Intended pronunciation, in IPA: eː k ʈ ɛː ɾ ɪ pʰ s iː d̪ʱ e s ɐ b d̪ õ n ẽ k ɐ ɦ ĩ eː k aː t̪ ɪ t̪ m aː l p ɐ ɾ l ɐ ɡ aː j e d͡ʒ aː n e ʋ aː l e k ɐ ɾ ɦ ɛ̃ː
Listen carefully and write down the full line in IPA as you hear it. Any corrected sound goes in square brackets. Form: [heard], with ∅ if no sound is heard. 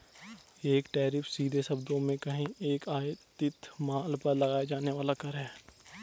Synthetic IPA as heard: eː k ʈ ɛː ɾ ɪ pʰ s iː d̪ʱ e s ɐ b d̪ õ [m] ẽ k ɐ ɦ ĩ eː k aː t̪ ɪ t̪ m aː l p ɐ ɾ l ɐ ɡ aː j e d͡ʒ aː n e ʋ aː l [a] k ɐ ɾ ɦ [ɛː]